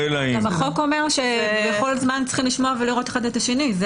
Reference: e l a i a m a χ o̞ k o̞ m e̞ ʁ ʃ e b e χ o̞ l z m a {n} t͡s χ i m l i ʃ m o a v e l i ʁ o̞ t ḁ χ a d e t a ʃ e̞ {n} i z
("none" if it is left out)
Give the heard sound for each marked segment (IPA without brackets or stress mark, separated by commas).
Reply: n, n